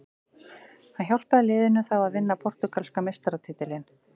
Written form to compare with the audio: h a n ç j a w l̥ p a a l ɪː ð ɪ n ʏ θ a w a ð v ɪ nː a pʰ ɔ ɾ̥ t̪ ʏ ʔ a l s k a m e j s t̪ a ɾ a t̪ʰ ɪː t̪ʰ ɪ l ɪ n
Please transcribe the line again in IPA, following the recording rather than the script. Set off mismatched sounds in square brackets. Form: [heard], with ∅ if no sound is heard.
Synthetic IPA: h a n ç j a w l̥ p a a l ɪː ð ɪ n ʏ θ a w a ð v ɪ nː a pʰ ɔ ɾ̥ t̪ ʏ [k] a l s k a m e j s t̪ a ɾ a t̪ʰ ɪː [t̪] ɪ l ɪ n